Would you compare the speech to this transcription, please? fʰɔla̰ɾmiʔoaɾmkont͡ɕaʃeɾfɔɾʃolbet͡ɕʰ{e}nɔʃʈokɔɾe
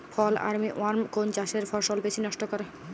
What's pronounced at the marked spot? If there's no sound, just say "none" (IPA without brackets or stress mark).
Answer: i